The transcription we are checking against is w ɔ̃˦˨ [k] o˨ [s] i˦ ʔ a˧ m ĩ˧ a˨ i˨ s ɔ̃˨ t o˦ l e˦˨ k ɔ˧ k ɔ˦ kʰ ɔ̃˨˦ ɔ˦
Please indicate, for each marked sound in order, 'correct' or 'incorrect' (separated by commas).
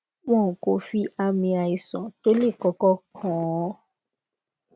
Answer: correct, incorrect